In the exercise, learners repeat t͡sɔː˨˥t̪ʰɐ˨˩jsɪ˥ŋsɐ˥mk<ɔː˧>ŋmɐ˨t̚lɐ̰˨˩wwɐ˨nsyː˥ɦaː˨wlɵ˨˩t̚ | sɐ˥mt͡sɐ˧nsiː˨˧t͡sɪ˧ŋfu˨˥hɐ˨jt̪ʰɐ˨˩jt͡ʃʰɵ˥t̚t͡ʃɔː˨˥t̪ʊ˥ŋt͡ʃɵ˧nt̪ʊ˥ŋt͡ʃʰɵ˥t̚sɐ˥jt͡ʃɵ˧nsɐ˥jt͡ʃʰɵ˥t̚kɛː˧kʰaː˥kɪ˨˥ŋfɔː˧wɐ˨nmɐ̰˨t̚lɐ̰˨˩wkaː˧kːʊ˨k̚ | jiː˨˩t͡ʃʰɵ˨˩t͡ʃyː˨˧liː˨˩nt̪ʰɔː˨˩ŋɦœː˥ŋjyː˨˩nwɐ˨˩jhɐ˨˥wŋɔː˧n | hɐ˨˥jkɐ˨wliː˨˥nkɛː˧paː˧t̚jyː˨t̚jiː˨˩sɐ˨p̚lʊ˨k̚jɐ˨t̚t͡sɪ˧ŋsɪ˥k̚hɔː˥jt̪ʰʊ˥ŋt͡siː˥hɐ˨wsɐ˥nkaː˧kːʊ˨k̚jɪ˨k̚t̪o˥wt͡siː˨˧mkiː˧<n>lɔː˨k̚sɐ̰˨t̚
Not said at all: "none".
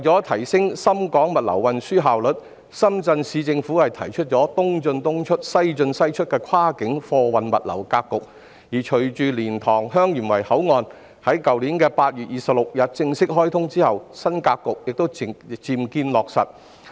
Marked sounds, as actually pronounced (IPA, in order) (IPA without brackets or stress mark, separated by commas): ɔː˨˥, n